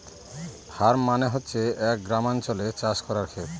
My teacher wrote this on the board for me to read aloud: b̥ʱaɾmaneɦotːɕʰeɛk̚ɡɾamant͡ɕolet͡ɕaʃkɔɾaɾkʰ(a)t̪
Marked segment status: incorrect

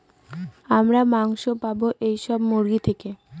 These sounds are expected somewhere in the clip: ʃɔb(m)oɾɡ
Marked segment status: correct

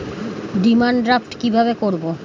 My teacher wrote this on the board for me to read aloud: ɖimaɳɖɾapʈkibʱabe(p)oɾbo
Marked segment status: incorrect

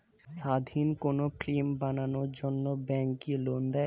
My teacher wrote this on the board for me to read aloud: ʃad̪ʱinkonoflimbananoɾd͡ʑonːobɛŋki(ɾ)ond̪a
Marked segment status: incorrect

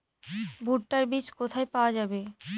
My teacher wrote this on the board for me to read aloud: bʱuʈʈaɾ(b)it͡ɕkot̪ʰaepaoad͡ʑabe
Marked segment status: correct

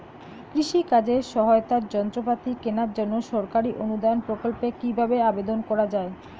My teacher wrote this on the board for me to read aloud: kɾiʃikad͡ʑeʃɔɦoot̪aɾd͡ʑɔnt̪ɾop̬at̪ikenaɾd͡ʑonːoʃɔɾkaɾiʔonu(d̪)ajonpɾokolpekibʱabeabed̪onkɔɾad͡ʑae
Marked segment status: correct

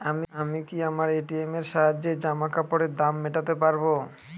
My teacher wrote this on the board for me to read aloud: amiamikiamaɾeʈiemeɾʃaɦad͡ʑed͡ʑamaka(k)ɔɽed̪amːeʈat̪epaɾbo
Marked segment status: incorrect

